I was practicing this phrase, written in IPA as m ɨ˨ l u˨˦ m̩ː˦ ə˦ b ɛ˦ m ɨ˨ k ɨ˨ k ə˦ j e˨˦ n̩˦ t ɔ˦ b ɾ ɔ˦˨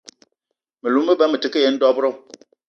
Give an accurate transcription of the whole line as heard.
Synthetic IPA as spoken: m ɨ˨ l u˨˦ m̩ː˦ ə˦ b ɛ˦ m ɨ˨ t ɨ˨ k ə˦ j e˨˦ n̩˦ d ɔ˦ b ɾ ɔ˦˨